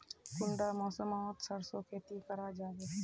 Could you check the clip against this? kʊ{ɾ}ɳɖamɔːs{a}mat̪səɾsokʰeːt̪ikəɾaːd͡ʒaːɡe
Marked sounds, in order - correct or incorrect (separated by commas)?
incorrect, incorrect